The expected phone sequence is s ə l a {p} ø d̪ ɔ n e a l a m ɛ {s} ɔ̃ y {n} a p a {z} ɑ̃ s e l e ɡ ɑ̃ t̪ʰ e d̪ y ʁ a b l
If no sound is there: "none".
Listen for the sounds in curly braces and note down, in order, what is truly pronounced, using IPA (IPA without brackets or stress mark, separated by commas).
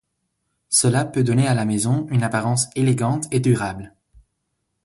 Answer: p, z, n, ʁ